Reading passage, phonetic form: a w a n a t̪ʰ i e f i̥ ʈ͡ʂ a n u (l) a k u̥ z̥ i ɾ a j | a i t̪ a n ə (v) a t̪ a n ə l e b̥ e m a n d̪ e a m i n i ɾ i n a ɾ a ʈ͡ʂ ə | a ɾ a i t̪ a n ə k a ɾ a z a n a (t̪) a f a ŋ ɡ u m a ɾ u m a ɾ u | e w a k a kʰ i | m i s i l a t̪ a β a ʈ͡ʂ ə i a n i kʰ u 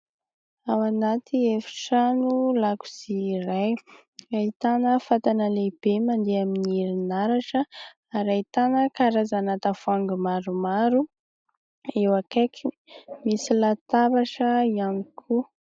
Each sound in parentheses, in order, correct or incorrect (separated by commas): correct, incorrect, correct